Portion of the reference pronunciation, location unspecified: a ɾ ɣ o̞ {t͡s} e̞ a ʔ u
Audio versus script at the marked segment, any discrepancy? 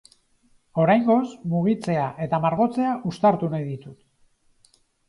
no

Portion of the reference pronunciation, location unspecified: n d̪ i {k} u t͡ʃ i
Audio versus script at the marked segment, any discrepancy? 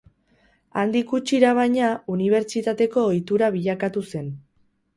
no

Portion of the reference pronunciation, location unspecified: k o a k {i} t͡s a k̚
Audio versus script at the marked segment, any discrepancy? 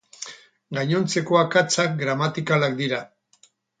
yes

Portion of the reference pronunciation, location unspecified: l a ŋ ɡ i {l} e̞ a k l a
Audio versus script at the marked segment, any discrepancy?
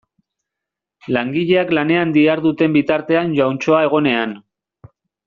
yes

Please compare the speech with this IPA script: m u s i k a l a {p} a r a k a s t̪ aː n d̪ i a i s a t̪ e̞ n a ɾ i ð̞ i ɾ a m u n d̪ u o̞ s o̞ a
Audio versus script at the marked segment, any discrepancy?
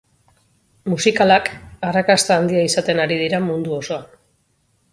yes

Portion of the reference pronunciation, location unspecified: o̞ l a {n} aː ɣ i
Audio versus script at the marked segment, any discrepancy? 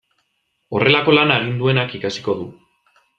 no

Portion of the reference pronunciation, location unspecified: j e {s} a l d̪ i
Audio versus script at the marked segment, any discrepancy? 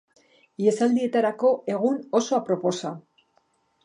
no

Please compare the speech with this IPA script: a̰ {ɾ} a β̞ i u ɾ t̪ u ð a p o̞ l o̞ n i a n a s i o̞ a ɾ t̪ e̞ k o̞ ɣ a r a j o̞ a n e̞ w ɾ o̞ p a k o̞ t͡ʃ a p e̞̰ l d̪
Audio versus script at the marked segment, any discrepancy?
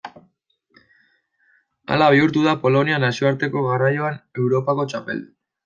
yes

